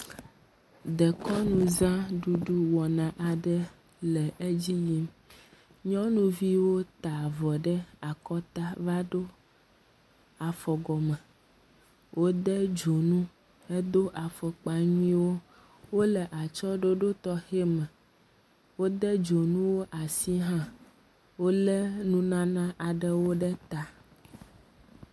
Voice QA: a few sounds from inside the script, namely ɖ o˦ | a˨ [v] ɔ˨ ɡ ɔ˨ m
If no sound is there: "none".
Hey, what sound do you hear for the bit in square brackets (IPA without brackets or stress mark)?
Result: f